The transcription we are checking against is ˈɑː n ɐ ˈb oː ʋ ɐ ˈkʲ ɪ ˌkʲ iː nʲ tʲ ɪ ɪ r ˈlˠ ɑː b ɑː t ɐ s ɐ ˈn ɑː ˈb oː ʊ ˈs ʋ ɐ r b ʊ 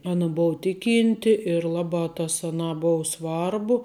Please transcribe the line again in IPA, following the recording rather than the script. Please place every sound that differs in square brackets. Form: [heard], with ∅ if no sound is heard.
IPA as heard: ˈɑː n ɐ ˈb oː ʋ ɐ [ˈtʲ] ɪ ˌkʲ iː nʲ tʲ ɪ ɪ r ˈlˠ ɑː b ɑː t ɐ s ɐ ˈn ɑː ˈb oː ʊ ˈs ʋ ɐ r b ʊ